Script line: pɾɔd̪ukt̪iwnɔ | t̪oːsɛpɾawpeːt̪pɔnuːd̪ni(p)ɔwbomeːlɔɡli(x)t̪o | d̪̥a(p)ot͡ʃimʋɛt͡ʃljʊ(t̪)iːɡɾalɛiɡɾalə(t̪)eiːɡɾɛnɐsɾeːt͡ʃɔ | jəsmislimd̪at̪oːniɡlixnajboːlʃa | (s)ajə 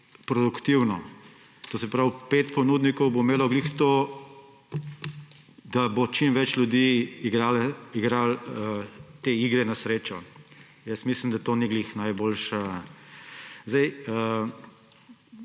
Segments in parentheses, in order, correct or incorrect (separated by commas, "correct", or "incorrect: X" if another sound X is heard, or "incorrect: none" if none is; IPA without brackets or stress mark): incorrect: k, correct, incorrect: b, incorrect: d̪, correct, incorrect: z